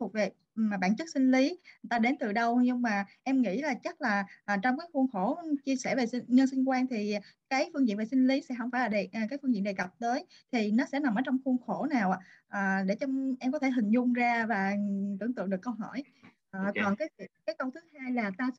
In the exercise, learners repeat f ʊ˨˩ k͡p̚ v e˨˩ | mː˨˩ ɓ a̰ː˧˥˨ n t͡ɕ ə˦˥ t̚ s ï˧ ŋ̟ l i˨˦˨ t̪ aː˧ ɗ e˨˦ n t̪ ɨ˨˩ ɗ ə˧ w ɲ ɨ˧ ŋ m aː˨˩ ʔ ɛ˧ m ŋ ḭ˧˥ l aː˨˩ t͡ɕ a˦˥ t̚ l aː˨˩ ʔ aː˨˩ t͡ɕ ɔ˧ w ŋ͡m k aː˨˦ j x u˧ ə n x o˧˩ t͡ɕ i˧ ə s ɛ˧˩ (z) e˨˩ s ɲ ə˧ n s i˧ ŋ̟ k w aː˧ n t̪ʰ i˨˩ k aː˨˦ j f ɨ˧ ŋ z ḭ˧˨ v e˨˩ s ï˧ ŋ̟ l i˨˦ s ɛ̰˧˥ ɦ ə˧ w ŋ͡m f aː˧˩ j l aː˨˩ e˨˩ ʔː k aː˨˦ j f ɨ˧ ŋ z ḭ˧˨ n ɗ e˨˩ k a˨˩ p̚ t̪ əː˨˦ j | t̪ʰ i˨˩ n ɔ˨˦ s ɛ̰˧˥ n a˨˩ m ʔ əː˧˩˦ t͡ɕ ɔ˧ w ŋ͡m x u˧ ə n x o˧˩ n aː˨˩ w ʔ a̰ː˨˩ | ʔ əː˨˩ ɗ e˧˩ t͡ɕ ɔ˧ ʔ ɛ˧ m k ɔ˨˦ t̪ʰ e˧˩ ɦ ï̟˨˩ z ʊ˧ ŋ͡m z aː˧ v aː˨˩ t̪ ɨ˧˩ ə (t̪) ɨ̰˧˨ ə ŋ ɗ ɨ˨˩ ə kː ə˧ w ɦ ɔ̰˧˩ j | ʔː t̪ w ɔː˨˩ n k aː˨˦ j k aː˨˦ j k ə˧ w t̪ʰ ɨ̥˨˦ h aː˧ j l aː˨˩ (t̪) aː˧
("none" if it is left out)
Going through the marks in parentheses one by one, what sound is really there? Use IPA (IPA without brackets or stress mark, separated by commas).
v, t̪, t̪